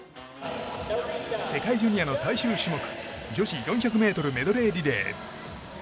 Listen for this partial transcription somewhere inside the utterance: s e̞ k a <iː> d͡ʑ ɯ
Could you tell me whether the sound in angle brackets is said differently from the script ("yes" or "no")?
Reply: yes